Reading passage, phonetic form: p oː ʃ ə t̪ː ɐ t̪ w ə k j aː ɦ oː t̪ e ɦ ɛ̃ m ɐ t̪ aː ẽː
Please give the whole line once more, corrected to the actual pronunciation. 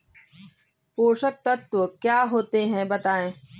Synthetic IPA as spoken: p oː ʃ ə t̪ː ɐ t̪ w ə k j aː ɦ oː t̪ e ɦ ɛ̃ b ɐ t̪ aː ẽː